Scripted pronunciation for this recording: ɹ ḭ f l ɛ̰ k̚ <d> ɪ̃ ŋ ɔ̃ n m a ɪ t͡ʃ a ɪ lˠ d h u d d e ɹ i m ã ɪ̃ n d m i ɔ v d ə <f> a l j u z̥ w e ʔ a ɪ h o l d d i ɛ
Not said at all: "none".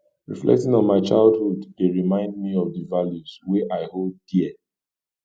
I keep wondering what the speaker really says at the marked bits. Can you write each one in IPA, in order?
t, v

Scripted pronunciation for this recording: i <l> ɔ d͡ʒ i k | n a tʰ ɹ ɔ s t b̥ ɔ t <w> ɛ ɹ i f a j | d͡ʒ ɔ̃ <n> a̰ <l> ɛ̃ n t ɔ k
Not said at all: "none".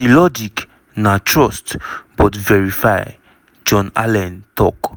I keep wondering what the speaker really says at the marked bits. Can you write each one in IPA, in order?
l, v, n, l

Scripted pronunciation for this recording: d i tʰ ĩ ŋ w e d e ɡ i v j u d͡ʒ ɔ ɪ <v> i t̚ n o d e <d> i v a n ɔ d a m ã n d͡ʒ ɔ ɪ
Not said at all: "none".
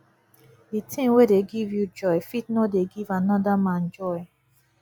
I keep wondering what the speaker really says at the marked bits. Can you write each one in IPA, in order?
f, ɡ

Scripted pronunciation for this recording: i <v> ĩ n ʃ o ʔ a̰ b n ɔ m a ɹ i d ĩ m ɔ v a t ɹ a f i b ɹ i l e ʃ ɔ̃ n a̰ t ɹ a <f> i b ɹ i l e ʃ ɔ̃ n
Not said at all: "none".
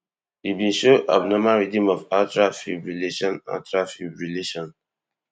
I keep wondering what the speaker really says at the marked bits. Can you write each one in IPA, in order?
b, f

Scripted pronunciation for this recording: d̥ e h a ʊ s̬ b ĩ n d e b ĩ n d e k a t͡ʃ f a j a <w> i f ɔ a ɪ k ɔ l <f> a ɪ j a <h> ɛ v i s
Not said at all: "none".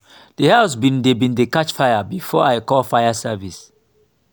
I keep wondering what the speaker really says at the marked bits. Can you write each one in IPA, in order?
b, f, s

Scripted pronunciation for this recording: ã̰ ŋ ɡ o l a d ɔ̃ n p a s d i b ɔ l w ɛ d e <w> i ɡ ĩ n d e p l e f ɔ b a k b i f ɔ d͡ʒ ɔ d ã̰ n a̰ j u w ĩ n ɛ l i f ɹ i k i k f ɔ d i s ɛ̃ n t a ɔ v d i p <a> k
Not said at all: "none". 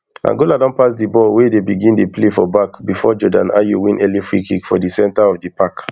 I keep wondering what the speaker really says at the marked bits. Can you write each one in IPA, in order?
b, a

